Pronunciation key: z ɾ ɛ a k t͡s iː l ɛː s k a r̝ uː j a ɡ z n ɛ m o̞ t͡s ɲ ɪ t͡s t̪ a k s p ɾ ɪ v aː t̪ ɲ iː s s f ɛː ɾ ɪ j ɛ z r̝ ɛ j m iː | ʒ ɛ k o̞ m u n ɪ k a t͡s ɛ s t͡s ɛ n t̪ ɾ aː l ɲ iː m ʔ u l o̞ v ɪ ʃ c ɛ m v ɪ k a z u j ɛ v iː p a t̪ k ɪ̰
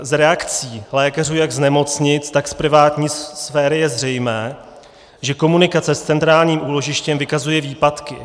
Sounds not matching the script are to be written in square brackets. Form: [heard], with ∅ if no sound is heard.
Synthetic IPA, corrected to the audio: z ɾ ɛ a k t͡s iː l ɛː [∅] k a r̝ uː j a ɡ z n ɛ m o̞ t͡s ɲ ɪ t͡s t̪ a k s p ɾ ɪ v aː t̪ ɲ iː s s f ɛː ɾ ɪ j ɛ z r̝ ɛ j m [ɛː] | ʒ ɛ k o̞ m u n ɪ k a t͡s ɛ s t͡s ɛ n t̪ ɾ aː l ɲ iː m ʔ [uː] l o̞ [ʒ] ɪ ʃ c ɛ m v ɪ k a z u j ɛ v iː p a t̪ k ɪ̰